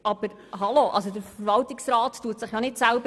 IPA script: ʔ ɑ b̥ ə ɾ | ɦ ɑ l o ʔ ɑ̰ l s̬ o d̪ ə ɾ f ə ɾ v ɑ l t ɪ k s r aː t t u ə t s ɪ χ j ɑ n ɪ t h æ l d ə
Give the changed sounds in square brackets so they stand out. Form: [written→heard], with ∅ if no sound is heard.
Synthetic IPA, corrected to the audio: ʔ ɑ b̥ ə ɾ | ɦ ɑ l o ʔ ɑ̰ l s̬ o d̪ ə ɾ f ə ɾ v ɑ l t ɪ k s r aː t t u ə t s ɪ χ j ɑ n ɪ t [h→s] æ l [d→b] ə